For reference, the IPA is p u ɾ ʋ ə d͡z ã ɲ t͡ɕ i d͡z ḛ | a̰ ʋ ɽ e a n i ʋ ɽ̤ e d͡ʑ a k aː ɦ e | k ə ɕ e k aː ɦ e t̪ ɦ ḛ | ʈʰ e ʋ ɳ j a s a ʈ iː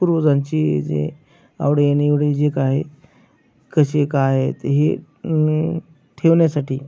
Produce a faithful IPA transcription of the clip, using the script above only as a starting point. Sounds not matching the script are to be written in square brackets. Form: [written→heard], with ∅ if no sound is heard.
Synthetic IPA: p u ɾ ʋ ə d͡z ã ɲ t͡ɕ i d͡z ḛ | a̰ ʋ ɽ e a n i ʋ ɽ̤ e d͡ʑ [a→e] k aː ɦ e | k ə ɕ e k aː ɦ e t̪ ɦ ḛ | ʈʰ e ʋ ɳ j a s a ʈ iː

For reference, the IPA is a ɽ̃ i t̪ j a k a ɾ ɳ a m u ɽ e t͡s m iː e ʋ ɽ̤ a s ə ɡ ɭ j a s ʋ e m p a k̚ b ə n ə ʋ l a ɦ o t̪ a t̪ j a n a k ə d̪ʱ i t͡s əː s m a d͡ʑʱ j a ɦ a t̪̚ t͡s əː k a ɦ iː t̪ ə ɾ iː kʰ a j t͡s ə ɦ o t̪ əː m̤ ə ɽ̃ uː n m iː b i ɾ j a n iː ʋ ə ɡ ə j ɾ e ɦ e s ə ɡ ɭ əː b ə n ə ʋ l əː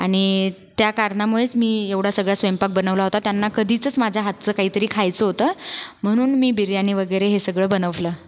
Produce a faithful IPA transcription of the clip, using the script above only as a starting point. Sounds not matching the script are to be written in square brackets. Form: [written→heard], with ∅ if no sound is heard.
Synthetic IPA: a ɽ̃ i t̪ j a k a ɾ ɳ a m u [ɽ→ɭ] e t͡s m iː e ʋ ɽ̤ a s ə ɡ ɭ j a s ʋ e m p a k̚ b ə n ə ʋ l a ɦ o t̪ a t̪ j a [n→nː] a k ə d̪ʱ i t͡s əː [s→t͡s] m a d͡ʑʱ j a ɦ a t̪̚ t͡s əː k a ɦ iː t̪ ə ɾ iː kʰ a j t͡s ə ɦ o t̪ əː m̤ ə ɽ̃ uː n m iː b i ɾ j a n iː ʋ ə ɡ ə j ɾ e ɦ e s ə ɡ ɭ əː b ə n ə ʋ l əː

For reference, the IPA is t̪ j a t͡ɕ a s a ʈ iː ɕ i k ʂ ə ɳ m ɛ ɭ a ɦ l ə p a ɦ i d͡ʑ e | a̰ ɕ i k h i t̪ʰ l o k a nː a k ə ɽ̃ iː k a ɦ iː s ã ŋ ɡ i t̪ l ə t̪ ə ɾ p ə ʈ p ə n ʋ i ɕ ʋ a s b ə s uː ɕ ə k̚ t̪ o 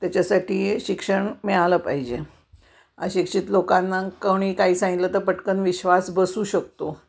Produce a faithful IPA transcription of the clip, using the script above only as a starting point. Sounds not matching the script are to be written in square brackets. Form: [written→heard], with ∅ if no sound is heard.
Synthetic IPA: t̪ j a t͡ɕ a s a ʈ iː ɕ i k ʂ ə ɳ m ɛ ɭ a [ɦ→∅] l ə p a ɦ i d͡ʑ e | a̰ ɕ i k [h→ʂ] i [t̪ʰ→t̪] l o k a nː a k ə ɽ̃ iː k a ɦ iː s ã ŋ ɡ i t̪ l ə t̪ ə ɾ p ə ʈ [p→k] ə n ʋ i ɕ ʋ a s b ə s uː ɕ ə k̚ t̪ o

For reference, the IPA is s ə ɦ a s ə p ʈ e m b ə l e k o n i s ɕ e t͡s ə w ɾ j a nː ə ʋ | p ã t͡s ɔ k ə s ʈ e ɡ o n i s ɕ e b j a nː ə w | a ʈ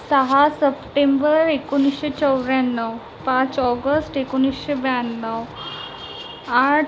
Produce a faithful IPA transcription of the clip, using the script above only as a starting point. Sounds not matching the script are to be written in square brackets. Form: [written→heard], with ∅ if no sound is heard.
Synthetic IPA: s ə ɦ a s ə p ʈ e m b ə [l→ɾ] e k o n i s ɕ e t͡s ə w ɾ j a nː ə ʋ | p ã t͡s ɔ [k→ɡ] ə s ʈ e [ɡ→k] o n i s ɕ e b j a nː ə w | a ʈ

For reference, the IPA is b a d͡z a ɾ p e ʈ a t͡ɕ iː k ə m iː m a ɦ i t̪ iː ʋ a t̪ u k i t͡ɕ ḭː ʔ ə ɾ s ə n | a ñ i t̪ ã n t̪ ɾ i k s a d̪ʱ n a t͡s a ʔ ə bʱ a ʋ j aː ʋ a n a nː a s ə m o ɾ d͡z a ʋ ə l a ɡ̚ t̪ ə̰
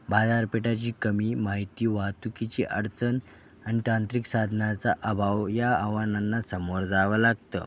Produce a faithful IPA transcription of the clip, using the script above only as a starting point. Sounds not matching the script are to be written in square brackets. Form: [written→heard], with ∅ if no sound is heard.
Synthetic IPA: b a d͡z a ɾ p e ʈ a t͡ɕ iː k ə m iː m a ɦ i t̪ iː ʋ a t̪ u k i t͡ɕ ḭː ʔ ə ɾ [s→t͡s] ə n | a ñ i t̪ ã n t̪ ɾ i k s a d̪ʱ n a t͡s a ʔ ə bʱ a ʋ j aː ʋ a n a nː a s ə m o ɾ d͡z a ʋ ə l a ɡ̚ t̪ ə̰

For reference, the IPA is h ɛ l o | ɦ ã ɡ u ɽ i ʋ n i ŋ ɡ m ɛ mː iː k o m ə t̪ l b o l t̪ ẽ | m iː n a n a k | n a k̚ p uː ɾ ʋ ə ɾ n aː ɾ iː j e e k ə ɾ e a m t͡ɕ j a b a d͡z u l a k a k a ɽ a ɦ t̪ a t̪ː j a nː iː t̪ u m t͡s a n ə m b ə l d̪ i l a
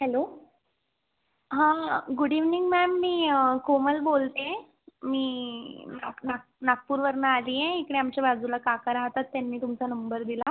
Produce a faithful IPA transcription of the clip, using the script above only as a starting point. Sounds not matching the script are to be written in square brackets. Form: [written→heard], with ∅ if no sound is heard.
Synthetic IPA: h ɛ l o | ɦ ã ɡ u ɽ i ʋ n i ŋ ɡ m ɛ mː iː k o m ə [t̪→∅] l b o l t̪ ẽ | m iː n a n a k | n a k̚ p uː ɾ ʋ ə ɾ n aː [ɾ→l] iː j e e k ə [ɾ→ɽ] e a m t͡ɕ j a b a d͡z u l a k a k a [ɽ→ɾ] a ɦ t̪ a t̪ː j a nː iː t̪ u m t͡s a n ə m b ə [l→ɾ] d̪ i l a

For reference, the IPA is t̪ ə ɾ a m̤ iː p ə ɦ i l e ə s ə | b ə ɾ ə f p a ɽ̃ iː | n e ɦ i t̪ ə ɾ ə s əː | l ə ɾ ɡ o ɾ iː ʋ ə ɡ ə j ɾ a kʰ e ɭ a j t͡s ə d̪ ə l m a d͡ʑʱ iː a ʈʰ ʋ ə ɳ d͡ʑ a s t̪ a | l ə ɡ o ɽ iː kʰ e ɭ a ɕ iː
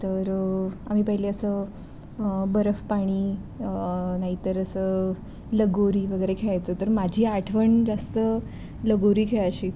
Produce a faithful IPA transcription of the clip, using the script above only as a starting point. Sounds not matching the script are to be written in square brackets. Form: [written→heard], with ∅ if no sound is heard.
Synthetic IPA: t̪ ə ɾ a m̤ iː p ə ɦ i l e ə s ə | b ə ɾ ə f p a ɽ̃ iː | n [e→a] ɦ i t̪ ə ɾ ə s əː | l ə [ɾ→∅] ɡ o ɾ iː ʋ ə ɡ ə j ɾ [a→e] kʰ e ɭ a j t͡s ə [d̪→t̪] ə [l→ɾ] m a d͡ʑʱ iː a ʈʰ ʋ ə ɳ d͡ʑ a s t̪ [a→ə] | l ə ɡ o [ɽ→ɾ] iː kʰ e ɭ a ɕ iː

